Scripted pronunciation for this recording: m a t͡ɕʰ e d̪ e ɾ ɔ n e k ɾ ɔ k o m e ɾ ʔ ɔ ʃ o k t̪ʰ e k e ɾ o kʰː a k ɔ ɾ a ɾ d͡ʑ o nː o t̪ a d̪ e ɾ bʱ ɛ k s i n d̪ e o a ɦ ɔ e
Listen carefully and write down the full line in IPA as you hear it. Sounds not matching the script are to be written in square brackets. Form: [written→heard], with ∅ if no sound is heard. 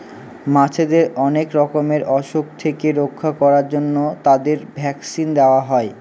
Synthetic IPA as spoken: m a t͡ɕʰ e d̪ e ɾ ɔ n e k ɾ ɔ k o m e ɾ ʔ ɔ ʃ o k t̪ʰ e k e ɾ o kʰː a k ɔ ɾ a ɾ d͡ʑ o nː o t̪ a d̪ e ɾ bʱ ɛ k s i n d̪ e o a ɦ ɔ e